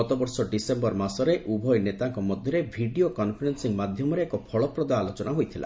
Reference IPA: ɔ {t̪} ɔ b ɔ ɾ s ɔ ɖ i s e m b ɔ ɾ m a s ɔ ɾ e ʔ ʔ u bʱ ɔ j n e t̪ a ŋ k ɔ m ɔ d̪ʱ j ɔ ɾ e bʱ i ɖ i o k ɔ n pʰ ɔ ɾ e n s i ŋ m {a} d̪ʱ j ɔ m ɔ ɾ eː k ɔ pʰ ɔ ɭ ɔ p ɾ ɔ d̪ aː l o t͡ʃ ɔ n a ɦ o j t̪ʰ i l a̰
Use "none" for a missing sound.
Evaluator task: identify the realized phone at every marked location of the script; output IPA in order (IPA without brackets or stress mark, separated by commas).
t̪, a